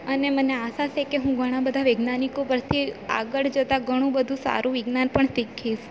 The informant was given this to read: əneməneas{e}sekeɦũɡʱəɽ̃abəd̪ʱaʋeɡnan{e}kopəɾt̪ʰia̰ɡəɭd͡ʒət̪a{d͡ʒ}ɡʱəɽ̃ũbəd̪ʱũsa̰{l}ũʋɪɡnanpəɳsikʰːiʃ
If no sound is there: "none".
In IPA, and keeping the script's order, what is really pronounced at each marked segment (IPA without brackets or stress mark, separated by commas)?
a, i, none, ɾ